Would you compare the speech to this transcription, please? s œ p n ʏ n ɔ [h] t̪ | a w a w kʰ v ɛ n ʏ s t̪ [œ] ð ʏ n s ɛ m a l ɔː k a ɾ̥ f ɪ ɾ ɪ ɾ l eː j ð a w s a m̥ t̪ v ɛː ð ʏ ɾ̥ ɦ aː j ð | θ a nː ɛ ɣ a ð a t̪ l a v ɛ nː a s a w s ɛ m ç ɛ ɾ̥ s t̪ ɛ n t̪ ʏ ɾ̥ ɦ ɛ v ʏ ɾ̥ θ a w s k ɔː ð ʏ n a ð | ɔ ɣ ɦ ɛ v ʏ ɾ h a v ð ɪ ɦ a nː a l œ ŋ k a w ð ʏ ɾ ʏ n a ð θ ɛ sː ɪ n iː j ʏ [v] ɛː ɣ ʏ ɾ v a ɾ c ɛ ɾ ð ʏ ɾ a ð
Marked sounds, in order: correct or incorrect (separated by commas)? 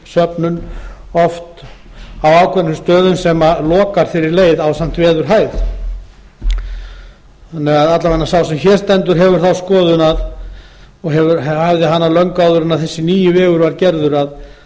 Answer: incorrect, incorrect, correct